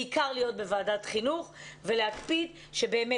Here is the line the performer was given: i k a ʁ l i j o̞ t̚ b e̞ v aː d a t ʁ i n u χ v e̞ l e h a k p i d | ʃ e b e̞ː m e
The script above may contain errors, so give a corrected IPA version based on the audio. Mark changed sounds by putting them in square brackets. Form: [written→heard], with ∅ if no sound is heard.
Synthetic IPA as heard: i k a ʁ l i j o̞ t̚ b e̞ v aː d a t [ʁ→χ] i n u χ v e̞ l e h a k p i d | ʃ e b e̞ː m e